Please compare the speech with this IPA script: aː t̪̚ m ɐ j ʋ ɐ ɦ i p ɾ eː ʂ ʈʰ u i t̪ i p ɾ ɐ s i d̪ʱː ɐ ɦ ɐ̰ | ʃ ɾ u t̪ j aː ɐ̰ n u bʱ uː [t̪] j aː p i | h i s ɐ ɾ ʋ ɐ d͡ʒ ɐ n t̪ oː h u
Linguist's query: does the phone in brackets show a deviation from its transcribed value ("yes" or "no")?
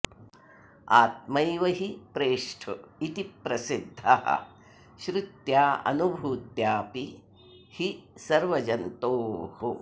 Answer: no